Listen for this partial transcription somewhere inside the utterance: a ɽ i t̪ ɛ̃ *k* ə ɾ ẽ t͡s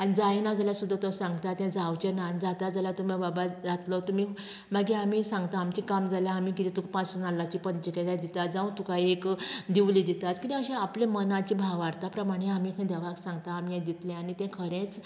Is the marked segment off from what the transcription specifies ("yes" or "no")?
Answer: yes